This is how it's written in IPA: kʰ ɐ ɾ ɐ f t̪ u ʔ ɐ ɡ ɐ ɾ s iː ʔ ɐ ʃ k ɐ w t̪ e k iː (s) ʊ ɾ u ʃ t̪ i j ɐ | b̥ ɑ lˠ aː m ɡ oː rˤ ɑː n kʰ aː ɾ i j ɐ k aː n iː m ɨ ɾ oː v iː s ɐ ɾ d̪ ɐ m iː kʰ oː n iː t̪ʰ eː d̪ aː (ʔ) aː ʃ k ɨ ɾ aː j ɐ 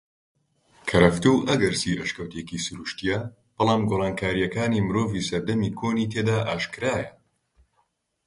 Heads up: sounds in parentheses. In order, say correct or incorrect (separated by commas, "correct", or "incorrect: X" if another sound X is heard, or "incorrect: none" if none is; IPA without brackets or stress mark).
correct, correct